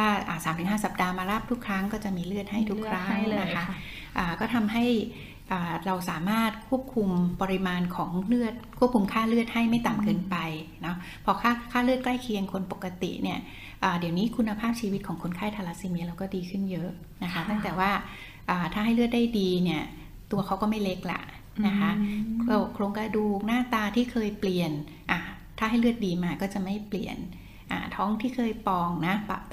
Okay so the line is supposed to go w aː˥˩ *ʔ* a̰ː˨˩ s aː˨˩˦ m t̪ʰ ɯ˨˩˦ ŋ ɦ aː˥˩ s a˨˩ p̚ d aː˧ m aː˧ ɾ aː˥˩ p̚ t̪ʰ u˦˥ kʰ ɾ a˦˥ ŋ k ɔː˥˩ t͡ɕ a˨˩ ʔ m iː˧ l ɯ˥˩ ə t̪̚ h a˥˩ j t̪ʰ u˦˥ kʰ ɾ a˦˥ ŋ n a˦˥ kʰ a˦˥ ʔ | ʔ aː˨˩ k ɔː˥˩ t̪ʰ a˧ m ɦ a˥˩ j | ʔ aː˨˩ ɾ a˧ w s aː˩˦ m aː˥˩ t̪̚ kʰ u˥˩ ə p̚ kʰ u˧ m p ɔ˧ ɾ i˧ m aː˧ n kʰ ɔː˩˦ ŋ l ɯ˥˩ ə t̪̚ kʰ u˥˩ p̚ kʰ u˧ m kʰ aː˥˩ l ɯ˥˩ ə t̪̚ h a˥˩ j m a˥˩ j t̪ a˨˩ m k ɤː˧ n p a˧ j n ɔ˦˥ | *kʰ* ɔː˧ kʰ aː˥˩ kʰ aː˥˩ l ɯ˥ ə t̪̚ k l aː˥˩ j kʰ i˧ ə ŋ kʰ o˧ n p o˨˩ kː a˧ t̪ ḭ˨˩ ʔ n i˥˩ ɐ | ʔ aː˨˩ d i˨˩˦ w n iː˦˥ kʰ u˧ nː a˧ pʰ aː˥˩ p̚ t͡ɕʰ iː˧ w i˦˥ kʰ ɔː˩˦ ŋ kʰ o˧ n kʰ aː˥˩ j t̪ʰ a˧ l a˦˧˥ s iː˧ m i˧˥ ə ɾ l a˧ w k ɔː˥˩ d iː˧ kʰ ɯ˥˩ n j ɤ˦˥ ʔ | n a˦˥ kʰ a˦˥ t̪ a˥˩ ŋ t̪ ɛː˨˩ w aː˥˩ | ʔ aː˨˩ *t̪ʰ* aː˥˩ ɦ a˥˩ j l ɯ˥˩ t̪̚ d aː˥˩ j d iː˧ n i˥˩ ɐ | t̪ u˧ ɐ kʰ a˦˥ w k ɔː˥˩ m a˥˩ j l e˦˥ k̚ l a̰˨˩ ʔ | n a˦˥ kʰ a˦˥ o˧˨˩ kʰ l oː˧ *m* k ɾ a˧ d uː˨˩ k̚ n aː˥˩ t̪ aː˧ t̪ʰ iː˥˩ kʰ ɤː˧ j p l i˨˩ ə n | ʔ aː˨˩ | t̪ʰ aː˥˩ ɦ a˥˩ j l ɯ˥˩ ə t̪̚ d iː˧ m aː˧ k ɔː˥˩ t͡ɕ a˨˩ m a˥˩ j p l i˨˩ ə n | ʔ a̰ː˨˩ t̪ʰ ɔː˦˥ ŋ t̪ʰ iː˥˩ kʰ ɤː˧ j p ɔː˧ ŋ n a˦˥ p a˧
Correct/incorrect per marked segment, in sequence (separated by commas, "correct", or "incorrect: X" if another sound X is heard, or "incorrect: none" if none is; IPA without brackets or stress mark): correct, incorrect: pʰ, correct, incorrect: ŋ